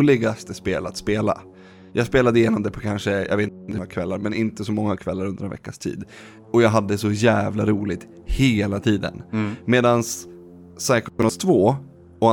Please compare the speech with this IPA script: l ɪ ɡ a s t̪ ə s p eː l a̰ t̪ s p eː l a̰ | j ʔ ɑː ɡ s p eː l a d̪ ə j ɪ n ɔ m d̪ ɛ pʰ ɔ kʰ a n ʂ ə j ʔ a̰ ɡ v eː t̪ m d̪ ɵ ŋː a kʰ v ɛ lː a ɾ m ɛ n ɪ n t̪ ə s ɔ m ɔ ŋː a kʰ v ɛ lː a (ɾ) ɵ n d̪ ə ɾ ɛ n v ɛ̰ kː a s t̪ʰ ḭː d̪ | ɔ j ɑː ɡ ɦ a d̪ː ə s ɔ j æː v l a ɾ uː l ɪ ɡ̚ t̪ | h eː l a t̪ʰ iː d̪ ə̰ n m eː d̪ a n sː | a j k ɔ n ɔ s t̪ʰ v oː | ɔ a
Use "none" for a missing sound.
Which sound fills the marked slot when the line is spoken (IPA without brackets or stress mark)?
ɾ